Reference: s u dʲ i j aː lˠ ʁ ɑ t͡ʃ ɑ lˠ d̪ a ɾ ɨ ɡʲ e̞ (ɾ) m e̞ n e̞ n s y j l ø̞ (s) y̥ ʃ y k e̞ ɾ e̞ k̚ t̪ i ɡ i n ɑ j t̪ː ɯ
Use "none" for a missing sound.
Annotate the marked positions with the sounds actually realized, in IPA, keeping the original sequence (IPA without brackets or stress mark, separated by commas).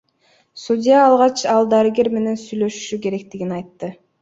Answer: ɾ, ʃ